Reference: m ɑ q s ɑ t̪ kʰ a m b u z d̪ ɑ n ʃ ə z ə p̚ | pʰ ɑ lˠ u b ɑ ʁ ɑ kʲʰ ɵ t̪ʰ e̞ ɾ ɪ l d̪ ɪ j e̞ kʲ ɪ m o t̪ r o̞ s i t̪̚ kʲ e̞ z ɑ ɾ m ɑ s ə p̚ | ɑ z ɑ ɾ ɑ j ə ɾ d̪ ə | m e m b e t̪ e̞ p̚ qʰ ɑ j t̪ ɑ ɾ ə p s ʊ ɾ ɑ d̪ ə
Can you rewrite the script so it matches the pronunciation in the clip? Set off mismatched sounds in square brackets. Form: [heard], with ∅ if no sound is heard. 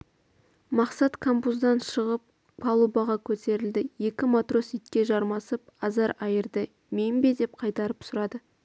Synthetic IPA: m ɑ q s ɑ t̪ kʰ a m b u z d̪ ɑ n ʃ ə [ʁ] ə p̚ | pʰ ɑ lˠ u b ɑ ʁ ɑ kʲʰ ɵ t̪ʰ e̞ ɾ ɪ l d̪ ɪ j e̞ kʲ ɪ m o t̪ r o̞ s i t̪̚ kʲ e̞ [ʒ] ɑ ɾ m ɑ s ə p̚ | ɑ z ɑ ɾ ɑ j ə ɾ d̪ ə | m e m b e [d̪] e̞ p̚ qʰ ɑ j t̪ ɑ ɾ ə p s ʊ ɾ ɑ d̪ ə